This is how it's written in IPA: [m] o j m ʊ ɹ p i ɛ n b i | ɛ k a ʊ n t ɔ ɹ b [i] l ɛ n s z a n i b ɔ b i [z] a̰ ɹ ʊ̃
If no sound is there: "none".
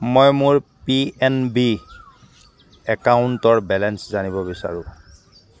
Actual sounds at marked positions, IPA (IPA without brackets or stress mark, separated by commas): m, ɛ, s